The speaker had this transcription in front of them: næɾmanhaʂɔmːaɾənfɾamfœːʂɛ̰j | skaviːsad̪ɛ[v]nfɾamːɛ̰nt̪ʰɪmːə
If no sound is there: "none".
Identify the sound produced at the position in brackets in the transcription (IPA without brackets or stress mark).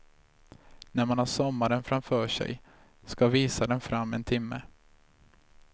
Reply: none